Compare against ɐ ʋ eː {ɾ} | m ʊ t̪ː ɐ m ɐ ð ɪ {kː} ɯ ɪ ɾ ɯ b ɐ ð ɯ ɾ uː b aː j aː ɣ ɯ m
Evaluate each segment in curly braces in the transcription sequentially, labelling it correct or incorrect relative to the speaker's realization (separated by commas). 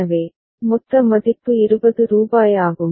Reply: incorrect, incorrect